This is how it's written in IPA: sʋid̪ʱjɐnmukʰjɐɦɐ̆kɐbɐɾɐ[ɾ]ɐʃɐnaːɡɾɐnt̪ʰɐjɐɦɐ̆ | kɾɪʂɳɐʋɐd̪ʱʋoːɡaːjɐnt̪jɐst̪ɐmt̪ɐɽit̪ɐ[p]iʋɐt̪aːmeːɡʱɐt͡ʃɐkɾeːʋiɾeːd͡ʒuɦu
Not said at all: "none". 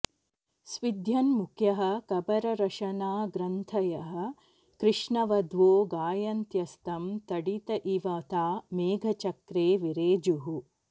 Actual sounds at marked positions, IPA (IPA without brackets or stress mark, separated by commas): ɾ, ʔ